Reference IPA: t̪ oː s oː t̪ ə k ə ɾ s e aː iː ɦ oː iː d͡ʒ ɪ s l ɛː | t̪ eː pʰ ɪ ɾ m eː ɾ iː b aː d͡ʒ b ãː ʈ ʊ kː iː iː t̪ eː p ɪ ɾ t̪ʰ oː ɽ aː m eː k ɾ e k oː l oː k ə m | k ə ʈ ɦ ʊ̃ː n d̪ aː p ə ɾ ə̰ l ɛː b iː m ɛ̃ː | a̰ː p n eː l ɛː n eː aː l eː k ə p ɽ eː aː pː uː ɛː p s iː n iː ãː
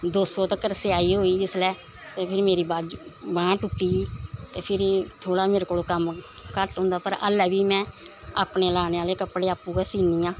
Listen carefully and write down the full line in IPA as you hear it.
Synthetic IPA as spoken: d̪ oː s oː t̪ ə k ə ɾ s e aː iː ɦ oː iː d͡ʒ ɪ s l ɛː | t̪ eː pʰ ɪ ɾ m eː ɾ iː b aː d͡ʒ b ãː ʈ ʊ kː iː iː t̪ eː pʰ ɪ ɾ t̪ʰ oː ɽ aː m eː ɾ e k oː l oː k ə m | k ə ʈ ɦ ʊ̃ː n d̪ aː p ə ɾ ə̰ l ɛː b iː m ɛ̃ː | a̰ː p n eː l aː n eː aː l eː k ə p ɽ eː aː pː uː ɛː s iː n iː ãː